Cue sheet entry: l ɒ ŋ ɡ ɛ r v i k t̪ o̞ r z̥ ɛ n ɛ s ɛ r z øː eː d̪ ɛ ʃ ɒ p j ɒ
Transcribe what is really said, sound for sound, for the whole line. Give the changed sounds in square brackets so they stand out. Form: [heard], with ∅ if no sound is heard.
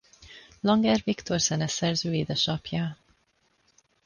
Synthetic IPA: l ɒ ŋ ɡ ɛ r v i k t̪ o̞ r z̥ ɛ n ɛ s ɛ r z øː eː d̪ ɛ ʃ ɒ p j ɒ